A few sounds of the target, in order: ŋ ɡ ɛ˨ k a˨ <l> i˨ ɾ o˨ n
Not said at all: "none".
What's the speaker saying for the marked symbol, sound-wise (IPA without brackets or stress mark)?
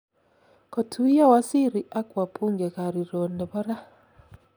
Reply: ɾ